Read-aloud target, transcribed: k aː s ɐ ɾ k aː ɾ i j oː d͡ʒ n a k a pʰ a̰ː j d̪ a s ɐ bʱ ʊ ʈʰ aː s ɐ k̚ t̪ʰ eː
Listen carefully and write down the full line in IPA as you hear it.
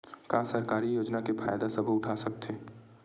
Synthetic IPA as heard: k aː s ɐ ɾ k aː ɾ i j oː d͡ʒ n a k e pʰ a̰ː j d̪ a s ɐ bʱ ʊ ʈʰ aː s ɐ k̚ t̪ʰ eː